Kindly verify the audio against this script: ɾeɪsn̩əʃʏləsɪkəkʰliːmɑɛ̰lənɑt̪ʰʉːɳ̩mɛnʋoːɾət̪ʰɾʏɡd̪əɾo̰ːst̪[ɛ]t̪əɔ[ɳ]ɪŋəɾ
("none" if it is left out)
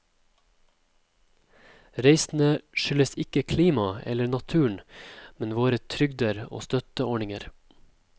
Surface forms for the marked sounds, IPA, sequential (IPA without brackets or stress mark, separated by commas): œ, ɳ